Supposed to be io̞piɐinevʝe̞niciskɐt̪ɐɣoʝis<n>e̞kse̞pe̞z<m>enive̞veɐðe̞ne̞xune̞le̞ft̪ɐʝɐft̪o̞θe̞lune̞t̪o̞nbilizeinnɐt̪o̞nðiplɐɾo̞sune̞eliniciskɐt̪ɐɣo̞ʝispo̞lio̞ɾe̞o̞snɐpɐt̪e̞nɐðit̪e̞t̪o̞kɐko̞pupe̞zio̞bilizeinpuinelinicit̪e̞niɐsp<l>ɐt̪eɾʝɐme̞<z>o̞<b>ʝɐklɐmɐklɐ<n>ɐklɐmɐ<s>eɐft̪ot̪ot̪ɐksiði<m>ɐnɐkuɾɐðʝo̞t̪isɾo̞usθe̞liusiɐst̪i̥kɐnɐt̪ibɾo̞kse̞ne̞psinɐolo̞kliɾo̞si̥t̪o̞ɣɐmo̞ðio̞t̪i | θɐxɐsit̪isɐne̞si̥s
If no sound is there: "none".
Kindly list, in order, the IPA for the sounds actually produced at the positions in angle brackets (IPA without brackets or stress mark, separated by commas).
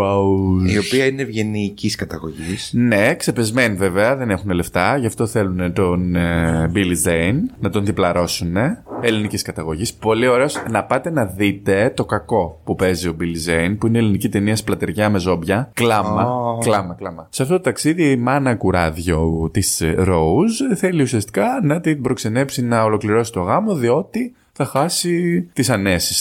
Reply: n, m, l, z, b, m, s, m